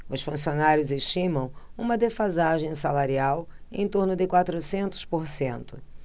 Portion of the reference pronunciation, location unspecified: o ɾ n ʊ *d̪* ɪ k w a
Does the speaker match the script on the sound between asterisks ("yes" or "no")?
yes